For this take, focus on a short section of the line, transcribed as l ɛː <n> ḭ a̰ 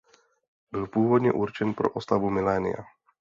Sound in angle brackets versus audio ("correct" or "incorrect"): correct